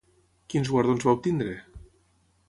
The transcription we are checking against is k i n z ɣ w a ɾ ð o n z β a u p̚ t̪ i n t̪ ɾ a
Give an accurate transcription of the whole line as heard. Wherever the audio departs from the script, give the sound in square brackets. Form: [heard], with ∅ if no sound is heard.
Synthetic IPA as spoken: k i n z ɣ w a ɾ ð o n z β a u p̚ t̪ i n [d̪] ɾ [e]